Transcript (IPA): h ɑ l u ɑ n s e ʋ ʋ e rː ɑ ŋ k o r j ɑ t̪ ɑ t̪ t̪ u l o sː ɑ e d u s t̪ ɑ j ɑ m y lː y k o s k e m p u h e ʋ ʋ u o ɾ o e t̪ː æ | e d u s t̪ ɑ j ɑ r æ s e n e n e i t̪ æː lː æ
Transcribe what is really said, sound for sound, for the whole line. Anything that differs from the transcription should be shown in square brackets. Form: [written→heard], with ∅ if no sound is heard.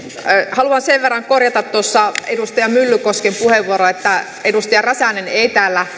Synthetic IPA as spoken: h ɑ l u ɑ n s e ʋ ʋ e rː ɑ ŋ k o r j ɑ t̪ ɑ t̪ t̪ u [l→∅] o sː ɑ e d u s t̪ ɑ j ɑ m y lː y k o s k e m p u h e ʋ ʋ u o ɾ o e t̪ː æ | e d u s t̪ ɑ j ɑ r æ s [e→æ] n e n e i t̪ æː lː æ